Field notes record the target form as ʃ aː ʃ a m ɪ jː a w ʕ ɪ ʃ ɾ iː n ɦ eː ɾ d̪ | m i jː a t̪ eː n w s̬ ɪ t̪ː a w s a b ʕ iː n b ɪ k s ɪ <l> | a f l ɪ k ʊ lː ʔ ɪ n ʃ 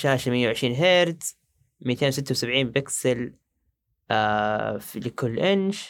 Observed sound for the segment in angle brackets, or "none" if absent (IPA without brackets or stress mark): l